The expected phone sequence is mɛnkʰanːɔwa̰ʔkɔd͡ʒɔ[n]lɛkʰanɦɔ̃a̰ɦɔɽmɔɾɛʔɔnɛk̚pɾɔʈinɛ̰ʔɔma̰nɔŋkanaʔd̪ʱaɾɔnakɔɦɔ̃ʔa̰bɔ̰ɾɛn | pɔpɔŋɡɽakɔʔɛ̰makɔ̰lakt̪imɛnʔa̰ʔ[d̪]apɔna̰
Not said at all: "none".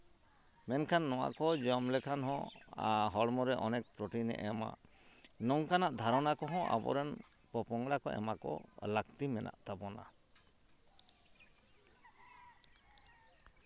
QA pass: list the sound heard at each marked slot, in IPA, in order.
m, t̪

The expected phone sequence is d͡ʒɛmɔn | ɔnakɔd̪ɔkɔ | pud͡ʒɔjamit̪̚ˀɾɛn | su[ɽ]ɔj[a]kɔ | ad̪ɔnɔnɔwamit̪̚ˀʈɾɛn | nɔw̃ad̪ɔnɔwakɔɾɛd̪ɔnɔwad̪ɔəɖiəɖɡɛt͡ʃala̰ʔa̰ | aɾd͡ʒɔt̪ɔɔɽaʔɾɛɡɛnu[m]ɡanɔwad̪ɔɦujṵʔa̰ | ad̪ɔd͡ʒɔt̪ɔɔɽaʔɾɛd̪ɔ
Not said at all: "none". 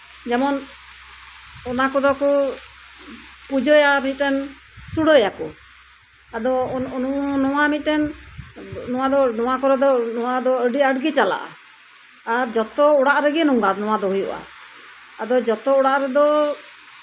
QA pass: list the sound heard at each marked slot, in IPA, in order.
ɽ, a, ŋ

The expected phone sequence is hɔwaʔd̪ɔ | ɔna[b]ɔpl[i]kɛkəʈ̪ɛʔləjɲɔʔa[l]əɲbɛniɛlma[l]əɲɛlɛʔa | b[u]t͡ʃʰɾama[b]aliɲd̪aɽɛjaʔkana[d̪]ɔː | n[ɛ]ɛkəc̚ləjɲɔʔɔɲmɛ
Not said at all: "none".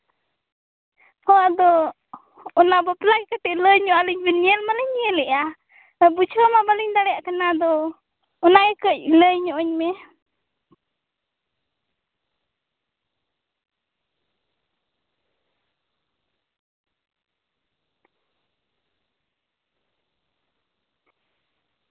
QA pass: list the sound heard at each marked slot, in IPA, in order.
b, a, l, l, u, b, d̪, a

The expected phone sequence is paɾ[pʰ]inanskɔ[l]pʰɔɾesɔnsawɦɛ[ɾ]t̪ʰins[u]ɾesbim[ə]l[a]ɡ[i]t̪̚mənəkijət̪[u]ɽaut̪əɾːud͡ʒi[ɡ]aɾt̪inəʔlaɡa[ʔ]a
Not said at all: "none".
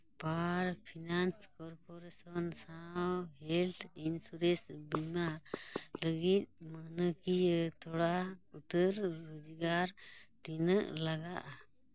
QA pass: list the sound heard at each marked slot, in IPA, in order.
pʰ, ɾ, l, u, a, ə, i, ɔ, ɡ, ʔ

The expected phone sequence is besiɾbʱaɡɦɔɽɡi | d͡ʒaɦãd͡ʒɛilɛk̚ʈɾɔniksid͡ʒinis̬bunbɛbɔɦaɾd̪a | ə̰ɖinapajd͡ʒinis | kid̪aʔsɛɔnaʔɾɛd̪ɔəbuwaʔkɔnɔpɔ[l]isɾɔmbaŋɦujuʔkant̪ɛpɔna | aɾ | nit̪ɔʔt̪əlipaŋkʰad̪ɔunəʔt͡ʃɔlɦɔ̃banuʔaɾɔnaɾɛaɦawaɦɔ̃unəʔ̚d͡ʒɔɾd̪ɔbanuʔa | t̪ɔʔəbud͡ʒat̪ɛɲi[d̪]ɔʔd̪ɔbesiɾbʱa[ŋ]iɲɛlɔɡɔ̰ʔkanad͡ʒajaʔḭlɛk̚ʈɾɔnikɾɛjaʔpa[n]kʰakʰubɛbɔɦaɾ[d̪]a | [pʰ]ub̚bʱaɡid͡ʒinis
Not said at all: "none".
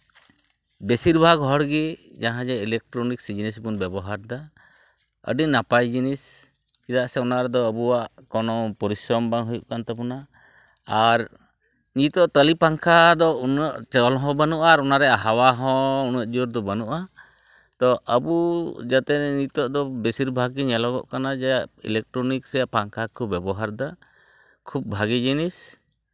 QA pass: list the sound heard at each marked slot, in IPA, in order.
ɾ, t̪, ɡ, ŋ, d̪, kʰ

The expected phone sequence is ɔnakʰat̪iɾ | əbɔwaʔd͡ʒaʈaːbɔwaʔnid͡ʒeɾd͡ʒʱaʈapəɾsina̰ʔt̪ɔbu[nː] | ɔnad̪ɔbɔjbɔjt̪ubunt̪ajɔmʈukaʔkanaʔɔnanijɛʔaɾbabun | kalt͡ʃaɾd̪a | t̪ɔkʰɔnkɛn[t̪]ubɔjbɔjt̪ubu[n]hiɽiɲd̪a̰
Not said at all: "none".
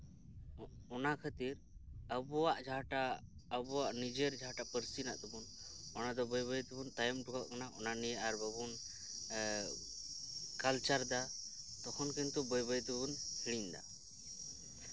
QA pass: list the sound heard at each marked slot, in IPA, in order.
n, t̪, n

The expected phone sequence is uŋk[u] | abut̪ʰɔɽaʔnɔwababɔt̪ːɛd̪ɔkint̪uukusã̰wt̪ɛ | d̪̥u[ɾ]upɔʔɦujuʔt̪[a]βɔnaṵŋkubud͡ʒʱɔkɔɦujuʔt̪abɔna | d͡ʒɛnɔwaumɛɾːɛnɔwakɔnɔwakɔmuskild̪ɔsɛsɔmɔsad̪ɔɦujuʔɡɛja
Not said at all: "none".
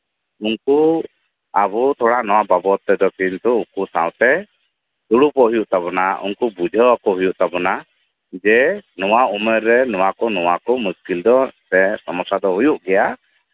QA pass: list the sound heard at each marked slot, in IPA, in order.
u, ɽ, a

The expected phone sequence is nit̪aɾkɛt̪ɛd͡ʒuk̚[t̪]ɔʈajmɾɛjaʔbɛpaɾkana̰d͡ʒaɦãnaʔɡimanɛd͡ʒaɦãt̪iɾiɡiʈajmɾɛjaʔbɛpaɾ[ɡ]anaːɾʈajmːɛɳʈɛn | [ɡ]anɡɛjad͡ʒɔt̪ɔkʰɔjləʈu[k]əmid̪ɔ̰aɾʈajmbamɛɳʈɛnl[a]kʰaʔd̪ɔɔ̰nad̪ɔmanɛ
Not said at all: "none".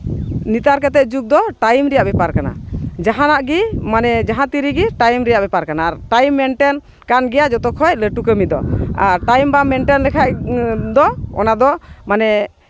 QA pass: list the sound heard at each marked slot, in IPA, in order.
d̪, k, k, k, ɛ

